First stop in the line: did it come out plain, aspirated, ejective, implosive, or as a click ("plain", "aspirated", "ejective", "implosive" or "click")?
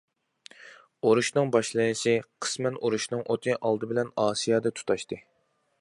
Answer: plain